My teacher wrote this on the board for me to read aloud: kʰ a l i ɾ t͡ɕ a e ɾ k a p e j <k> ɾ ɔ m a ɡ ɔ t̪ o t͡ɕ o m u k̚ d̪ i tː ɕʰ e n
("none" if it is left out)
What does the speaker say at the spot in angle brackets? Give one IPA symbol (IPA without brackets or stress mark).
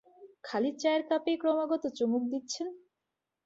k